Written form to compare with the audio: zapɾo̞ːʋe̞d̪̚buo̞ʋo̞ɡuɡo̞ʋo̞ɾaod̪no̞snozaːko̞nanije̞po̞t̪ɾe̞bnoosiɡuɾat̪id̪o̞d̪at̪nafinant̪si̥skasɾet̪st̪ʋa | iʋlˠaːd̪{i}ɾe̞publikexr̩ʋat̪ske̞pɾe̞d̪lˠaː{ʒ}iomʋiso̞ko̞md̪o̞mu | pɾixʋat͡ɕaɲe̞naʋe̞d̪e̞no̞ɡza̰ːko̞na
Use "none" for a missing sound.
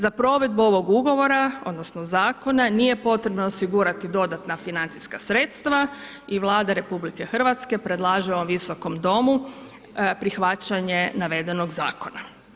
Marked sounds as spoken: a, ʒ

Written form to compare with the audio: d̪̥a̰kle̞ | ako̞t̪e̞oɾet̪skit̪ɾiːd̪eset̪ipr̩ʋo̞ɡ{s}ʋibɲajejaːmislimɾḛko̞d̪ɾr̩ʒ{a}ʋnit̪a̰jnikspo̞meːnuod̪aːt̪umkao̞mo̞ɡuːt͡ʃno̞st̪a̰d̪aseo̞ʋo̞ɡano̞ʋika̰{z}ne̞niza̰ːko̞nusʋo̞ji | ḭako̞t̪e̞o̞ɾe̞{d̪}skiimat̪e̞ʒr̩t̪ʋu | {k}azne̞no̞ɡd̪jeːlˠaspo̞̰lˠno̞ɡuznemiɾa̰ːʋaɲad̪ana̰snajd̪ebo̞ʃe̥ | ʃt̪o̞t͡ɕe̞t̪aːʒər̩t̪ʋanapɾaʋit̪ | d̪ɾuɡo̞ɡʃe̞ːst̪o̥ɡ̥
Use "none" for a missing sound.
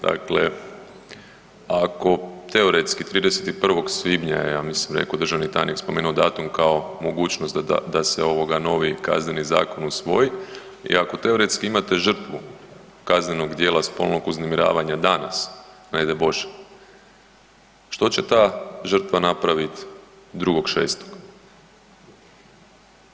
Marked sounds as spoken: s, a, z, t̪, k

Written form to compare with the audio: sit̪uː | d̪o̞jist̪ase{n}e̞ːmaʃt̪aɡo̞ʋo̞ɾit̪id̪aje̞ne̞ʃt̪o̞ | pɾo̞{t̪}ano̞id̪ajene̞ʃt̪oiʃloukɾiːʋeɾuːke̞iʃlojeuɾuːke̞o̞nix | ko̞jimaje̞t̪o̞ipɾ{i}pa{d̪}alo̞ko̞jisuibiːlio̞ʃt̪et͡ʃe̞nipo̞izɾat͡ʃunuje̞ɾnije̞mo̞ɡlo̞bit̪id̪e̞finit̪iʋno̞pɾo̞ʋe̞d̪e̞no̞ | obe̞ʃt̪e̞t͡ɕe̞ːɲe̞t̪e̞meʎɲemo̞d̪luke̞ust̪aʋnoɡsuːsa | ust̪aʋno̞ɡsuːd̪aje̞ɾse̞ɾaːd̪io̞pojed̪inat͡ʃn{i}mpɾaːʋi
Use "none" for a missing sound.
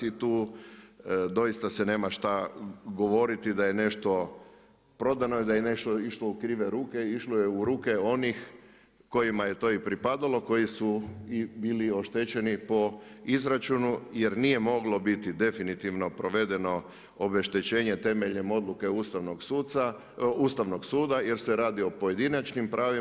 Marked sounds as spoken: n, d̪, i, d̪, i

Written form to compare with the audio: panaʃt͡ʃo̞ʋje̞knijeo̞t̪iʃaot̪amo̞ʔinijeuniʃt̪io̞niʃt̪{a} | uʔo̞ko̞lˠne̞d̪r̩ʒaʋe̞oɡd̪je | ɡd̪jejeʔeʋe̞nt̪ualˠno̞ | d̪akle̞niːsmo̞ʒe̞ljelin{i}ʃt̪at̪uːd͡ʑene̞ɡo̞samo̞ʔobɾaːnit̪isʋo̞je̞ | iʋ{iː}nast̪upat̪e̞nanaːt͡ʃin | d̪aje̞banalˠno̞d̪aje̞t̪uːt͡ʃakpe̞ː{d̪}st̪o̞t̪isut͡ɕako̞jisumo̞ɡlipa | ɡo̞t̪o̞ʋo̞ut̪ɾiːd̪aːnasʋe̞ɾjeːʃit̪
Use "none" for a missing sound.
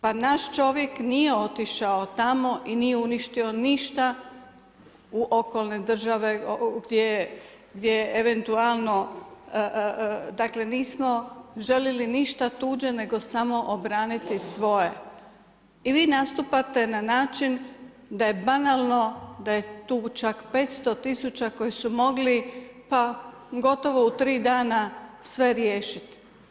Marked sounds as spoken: a, i, iː, t̪

